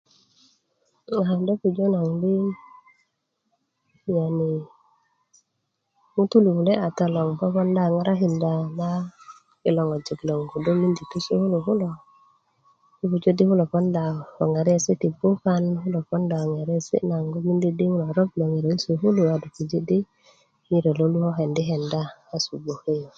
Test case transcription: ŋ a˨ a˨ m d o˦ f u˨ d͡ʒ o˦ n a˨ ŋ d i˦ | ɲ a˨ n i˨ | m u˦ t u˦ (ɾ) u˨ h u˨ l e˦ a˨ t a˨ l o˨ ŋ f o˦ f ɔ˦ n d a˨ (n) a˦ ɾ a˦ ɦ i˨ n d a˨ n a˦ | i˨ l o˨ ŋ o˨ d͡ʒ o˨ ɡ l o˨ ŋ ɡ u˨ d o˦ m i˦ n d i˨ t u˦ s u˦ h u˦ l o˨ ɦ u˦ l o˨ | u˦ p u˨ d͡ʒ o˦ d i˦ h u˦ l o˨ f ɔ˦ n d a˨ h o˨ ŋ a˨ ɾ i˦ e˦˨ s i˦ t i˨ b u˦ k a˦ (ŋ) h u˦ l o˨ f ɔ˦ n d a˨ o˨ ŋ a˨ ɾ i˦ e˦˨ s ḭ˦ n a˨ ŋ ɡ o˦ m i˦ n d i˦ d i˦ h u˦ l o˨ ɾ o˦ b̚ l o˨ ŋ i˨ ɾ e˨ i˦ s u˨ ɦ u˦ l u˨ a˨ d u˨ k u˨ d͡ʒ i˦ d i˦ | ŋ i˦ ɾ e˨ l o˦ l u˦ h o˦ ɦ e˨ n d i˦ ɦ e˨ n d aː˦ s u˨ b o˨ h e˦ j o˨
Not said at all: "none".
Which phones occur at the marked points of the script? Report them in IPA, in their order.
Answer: l, ŋ, n

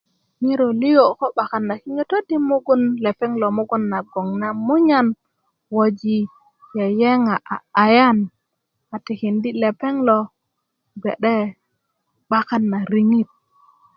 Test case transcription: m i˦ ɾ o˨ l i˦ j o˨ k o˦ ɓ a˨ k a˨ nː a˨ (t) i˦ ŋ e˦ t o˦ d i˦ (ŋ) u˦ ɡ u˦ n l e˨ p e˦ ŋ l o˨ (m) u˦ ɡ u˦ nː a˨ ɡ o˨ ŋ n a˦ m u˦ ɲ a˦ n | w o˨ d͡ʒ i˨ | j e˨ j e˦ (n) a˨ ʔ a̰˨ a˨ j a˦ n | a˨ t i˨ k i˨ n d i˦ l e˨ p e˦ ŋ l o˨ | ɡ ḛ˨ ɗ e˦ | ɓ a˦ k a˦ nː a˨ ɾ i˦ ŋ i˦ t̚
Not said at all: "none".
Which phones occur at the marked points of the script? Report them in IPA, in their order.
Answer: k, m, m, ŋ

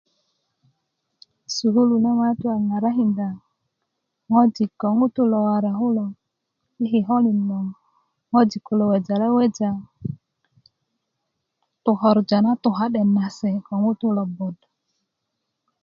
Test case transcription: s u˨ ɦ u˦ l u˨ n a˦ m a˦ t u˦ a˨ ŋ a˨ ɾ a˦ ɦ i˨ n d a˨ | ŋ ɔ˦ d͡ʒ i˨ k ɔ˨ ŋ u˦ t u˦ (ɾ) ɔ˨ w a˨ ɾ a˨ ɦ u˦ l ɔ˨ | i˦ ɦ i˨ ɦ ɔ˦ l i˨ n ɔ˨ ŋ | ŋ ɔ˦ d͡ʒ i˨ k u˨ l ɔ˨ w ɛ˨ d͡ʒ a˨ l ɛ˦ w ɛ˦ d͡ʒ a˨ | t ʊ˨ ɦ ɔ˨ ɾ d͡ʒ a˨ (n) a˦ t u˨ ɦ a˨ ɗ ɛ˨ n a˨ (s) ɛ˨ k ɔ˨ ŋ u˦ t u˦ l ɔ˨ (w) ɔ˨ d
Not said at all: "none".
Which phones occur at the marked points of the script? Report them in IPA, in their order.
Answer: l, n, s, b

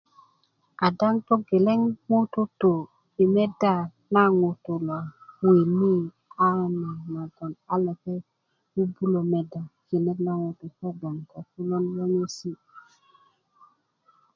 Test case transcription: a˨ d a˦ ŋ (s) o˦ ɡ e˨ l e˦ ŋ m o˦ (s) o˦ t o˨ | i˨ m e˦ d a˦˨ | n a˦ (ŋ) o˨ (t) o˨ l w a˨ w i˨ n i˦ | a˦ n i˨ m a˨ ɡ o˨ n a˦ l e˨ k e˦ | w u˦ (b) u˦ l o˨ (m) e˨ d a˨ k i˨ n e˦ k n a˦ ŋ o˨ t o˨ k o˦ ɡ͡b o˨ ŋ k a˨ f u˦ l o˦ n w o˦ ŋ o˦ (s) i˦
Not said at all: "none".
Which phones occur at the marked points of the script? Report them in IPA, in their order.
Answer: t, t, ŋ, t, b, m, s

